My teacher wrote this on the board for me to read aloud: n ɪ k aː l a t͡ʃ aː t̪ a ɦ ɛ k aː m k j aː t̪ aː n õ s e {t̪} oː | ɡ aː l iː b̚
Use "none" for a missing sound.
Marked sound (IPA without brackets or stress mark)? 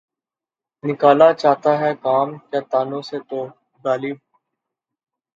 t̪